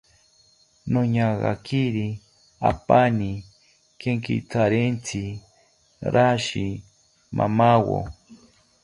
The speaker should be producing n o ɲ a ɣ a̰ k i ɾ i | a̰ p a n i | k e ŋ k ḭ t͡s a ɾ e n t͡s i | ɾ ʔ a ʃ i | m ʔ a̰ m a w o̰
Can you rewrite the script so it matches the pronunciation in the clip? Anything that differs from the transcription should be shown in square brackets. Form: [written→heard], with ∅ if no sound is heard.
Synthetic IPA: n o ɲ a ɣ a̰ k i ɾ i | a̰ p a n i | k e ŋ k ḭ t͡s a ɾ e n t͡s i | ɾ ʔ a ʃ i | m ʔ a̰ m a w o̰